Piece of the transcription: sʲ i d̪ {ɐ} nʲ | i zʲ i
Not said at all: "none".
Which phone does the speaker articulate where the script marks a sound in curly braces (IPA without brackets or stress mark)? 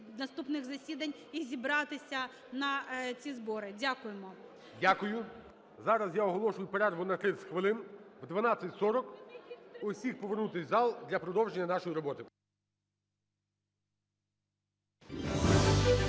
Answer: ɐ